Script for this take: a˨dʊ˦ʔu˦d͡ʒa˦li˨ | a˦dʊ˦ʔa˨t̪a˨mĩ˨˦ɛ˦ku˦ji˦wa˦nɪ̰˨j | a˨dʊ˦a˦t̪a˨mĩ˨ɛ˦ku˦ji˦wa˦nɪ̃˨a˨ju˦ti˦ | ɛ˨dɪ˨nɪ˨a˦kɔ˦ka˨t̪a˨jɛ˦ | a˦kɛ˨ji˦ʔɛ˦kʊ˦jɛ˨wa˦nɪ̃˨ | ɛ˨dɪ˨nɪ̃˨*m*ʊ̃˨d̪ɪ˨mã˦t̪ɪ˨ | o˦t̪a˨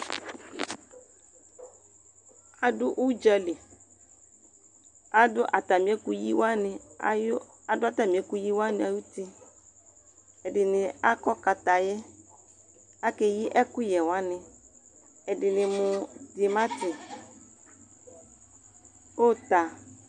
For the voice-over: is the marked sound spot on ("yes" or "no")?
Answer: yes